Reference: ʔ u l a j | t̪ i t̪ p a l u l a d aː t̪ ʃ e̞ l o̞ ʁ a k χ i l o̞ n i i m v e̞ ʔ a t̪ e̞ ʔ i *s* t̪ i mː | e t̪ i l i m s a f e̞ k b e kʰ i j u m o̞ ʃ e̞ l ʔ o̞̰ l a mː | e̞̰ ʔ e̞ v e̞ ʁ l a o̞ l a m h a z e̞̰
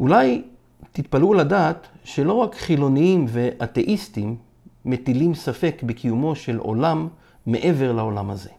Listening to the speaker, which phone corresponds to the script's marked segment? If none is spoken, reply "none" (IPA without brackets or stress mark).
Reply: s